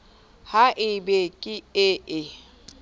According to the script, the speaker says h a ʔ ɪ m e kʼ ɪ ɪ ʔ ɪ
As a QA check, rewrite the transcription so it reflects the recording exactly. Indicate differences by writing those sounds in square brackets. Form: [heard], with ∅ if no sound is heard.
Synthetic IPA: h a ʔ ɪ [b] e kʼ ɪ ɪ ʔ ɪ